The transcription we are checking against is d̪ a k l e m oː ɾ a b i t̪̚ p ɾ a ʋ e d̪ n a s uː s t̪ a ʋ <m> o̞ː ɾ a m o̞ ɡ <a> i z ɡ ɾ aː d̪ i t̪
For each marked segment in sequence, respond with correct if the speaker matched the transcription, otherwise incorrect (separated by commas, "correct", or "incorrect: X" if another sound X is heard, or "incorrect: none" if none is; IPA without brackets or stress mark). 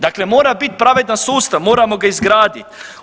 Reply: correct, correct